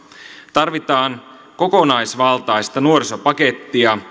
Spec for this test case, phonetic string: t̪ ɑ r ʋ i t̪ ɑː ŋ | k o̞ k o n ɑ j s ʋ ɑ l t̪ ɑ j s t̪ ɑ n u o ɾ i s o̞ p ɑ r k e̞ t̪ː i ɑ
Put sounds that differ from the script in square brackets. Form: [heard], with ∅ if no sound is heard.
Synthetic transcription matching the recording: t̪ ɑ r ʋ i t̪ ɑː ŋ | k o̞ k o n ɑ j s ʋ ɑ l t̪ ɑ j s t̪ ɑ n u o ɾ i s o̞ p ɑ [∅] k e̞ t̪ː i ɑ